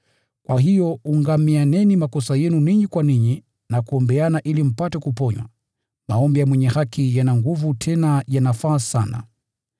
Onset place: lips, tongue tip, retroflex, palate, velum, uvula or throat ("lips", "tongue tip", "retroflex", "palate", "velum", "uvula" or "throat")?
velum